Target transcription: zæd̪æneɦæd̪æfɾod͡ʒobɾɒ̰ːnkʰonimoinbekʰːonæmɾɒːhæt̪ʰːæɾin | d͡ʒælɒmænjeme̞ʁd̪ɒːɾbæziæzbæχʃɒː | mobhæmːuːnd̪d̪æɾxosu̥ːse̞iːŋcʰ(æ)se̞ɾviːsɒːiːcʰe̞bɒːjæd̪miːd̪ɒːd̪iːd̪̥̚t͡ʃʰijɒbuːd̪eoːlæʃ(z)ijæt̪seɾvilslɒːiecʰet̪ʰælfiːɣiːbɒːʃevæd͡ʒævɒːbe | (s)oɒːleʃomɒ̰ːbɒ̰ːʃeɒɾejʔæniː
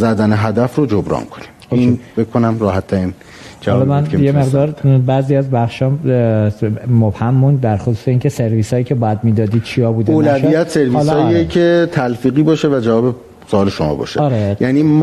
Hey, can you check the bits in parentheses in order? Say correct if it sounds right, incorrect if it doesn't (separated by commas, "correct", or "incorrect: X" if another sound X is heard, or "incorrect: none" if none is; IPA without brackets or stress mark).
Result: incorrect: e, incorrect: v, correct